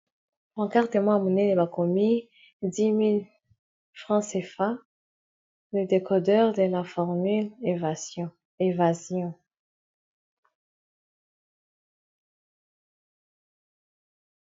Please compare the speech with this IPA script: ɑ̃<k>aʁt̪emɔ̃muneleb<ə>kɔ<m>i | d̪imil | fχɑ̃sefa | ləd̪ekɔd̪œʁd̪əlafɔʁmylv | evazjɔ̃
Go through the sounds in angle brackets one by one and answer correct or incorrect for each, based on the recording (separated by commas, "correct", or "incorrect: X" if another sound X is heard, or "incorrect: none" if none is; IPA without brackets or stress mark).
correct, incorrect: a, correct